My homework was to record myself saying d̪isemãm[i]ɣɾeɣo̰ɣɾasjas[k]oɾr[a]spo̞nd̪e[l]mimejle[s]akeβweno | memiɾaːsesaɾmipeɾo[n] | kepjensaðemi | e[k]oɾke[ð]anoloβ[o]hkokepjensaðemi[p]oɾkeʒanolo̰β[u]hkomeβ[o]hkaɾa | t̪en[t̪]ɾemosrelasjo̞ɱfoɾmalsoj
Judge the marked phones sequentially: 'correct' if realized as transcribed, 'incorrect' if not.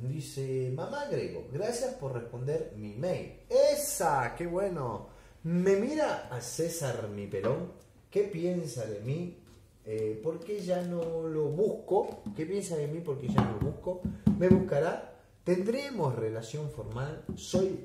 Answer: incorrect: a, incorrect: p, incorrect: e, incorrect: ɾ, correct, incorrect: ŋ, incorrect: p, incorrect: ʒ, incorrect: u, correct, correct, incorrect: u, incorrect: d̪

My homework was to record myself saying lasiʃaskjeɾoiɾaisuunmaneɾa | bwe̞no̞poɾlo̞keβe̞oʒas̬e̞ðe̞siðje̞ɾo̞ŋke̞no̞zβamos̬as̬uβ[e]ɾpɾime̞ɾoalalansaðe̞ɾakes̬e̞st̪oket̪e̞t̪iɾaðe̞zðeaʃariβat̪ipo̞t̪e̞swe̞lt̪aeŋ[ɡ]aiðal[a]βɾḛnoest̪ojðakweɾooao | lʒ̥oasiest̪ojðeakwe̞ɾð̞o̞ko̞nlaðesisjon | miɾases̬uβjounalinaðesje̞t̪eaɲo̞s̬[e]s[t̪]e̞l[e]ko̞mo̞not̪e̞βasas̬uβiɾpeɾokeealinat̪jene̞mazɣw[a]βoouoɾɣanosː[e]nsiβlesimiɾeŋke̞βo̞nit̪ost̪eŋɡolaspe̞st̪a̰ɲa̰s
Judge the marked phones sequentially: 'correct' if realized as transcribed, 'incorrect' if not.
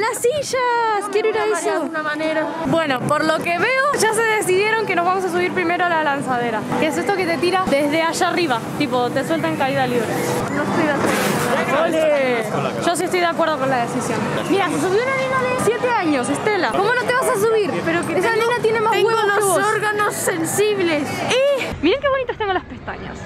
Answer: incorrect: i, incorrect: k, incorrect: i, correct, correct, incorrect: a, incorrect: e, correct

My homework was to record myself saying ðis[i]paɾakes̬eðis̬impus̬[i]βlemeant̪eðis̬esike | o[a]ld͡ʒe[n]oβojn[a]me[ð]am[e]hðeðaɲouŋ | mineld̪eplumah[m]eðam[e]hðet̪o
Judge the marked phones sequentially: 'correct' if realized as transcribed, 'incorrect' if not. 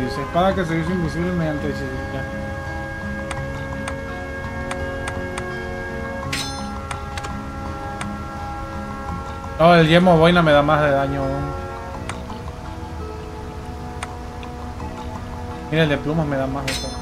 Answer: incorrect: e, correct, incorrect: e, incorrect: m, correct, correct, incorrect: a, correct, incorrect: a

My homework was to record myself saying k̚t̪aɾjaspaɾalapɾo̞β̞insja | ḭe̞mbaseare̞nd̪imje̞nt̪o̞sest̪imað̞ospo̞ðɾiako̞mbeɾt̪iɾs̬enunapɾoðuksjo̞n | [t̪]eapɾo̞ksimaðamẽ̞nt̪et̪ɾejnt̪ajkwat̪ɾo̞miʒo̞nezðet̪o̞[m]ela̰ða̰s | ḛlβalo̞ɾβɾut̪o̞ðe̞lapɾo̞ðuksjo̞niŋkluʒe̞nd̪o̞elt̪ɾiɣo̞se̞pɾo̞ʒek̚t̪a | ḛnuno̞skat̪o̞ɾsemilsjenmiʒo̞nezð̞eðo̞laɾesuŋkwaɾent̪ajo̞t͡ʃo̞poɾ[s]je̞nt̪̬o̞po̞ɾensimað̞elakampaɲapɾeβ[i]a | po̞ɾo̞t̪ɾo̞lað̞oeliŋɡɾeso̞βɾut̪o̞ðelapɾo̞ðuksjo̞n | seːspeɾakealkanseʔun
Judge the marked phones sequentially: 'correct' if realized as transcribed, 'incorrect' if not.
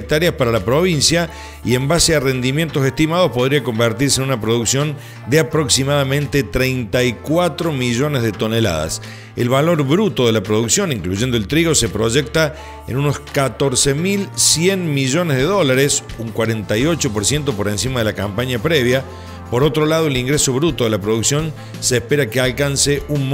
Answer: incorrect: d̪, incorrect: n, correct, incorrect: j

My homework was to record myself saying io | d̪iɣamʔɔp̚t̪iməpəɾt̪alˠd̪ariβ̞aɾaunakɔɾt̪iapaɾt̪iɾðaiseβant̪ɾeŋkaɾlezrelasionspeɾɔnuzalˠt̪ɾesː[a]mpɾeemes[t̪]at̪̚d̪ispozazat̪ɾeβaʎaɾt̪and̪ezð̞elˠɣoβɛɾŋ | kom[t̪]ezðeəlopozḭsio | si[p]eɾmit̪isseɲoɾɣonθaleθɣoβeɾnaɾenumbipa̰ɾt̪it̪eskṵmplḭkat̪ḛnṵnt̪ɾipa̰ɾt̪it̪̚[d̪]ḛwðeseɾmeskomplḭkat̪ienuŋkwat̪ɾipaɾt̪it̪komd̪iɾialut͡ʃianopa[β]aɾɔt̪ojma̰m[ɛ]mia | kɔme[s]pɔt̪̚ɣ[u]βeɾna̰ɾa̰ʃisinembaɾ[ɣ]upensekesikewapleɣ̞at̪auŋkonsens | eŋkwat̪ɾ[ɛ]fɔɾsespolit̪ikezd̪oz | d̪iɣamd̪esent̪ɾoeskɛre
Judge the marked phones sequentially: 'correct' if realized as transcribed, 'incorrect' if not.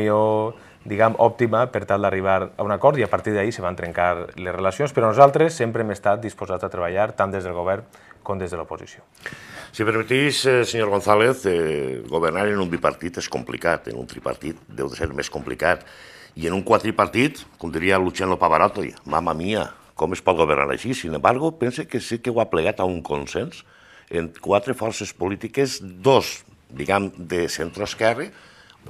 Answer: incorrect: e, correct, incorrect: d̪, correct, correct, correct, incorrect: a, correct, incorrect: o, correct, incorrect: e

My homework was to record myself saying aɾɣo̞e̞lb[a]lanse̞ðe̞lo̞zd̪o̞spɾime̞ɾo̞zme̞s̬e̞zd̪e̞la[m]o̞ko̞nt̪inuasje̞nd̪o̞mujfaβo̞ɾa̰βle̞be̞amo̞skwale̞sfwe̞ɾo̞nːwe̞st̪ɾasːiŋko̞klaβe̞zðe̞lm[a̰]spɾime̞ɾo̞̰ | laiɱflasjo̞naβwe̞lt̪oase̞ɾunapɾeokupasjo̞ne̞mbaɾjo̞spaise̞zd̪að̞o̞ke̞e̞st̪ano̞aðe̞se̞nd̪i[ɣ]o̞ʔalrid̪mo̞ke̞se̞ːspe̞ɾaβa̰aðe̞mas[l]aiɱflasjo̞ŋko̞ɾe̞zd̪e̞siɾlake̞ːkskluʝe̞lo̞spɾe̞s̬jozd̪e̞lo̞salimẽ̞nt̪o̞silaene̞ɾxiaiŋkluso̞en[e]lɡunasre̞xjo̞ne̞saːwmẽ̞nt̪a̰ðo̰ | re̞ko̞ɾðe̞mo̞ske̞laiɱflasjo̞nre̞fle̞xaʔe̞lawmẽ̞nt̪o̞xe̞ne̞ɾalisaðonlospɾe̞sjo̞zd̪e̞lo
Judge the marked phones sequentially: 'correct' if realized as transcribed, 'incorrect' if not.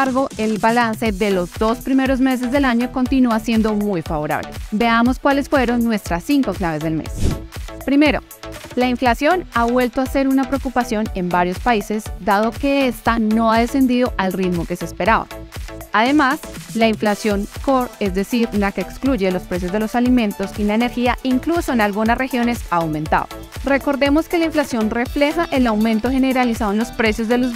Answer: correct, incorrect: ɲ, incorrect: ḛ, incorrect: ð, correct, incorrect: a

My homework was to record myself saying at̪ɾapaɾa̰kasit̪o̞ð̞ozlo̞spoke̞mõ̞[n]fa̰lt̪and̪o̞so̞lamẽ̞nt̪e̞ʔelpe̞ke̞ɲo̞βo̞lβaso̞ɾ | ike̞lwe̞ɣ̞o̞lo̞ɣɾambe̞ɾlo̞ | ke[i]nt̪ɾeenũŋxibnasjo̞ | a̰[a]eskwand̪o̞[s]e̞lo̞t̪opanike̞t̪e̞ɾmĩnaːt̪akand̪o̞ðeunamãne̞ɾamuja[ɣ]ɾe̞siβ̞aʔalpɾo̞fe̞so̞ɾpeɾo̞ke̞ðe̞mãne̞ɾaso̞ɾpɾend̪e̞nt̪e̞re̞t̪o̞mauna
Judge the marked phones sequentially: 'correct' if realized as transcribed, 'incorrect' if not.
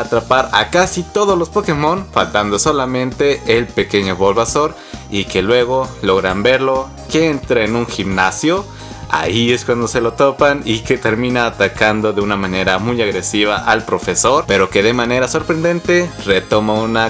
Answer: correct, incorrect: e, incorrect: i, correct, correct

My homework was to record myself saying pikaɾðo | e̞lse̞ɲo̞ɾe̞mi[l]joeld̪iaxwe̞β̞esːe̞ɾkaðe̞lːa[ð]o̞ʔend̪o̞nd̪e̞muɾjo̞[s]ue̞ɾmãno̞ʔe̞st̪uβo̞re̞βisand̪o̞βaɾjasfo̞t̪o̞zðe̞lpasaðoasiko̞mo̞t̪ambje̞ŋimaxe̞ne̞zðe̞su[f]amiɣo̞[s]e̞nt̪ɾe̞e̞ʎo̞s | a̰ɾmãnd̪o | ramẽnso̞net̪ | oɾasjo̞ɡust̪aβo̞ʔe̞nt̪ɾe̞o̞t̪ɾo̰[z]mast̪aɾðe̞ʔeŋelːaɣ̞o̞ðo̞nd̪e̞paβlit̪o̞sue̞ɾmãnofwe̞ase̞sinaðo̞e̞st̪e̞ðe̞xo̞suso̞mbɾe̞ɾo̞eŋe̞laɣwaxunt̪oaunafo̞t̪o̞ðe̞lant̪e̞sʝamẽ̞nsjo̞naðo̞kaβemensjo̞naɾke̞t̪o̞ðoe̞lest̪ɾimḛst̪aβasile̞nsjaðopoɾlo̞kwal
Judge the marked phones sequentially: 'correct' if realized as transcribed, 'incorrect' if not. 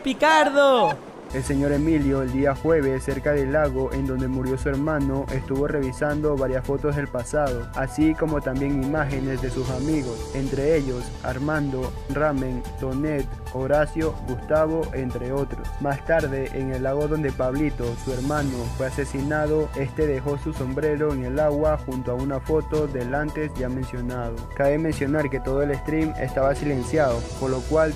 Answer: correct, incorrect: ɣ, correct, incorrect: s, correct, incorrect: s

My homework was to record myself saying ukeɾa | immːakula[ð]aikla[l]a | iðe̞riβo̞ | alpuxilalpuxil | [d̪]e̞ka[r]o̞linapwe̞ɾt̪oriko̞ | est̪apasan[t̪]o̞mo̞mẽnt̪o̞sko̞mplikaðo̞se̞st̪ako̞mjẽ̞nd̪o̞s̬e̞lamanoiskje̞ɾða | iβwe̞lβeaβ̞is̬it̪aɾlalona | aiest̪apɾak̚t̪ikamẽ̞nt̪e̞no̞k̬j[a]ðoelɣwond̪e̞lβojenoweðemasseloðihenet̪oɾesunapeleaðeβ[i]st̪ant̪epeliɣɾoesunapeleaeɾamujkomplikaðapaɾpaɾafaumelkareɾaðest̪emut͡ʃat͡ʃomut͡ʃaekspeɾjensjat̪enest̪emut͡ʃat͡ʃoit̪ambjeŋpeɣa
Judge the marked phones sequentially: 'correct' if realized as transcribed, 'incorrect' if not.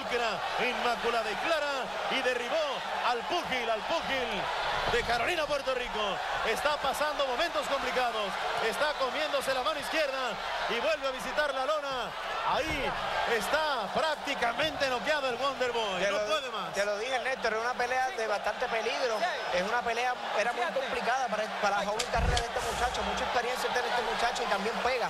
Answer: correct, incorrect: ɾ, correct, incorrect: ɾ, incorrect: d̪, correct, incorrect: a

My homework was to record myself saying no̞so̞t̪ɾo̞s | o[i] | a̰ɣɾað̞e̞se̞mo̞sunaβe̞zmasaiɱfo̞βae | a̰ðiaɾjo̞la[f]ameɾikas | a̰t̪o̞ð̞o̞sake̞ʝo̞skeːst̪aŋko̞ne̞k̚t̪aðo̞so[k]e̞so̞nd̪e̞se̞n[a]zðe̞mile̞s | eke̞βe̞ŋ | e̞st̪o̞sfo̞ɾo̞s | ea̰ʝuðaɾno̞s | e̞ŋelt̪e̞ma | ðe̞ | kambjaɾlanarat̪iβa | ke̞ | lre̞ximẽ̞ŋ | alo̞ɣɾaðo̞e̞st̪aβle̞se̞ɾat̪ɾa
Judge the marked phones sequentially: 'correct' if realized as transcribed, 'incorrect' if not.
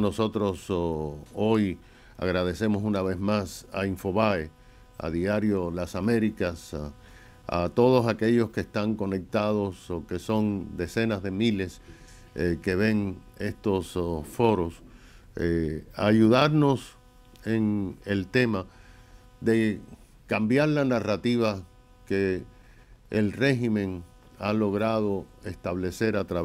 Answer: incorrect: j, incorrect: s, correct, correct

